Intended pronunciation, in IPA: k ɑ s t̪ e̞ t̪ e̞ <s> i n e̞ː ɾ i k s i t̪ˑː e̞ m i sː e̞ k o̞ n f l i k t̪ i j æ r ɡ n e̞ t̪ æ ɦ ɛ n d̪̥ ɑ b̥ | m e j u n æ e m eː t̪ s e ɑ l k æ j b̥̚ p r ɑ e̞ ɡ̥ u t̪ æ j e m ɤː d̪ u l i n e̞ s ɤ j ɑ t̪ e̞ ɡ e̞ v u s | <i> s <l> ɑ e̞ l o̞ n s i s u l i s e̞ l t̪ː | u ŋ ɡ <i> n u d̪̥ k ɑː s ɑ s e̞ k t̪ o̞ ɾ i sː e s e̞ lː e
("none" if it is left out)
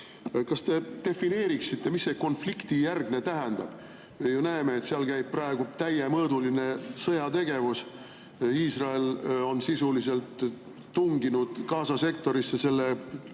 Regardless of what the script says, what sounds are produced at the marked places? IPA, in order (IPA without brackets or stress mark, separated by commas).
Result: f, iː, r, i